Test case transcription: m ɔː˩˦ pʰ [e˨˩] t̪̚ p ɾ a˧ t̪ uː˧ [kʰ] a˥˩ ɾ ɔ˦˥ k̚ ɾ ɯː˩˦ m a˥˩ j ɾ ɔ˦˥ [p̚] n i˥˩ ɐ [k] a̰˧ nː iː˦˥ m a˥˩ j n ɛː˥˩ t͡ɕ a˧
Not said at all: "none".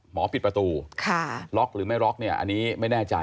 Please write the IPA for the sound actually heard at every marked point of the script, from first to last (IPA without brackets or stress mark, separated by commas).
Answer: i˨˩, kʰ, k̚, ʔ